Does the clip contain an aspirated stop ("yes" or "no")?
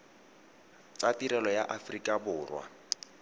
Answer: no